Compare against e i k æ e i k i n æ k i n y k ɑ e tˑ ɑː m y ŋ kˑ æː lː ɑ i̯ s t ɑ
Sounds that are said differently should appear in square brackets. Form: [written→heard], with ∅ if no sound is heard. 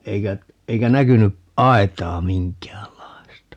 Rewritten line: e i k æ e i k [i→æ] n æ k [i→y] n y [k→ʔ] ɑ e tˑ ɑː m [y→i] ŋ kˑ æː lː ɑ i̯ s t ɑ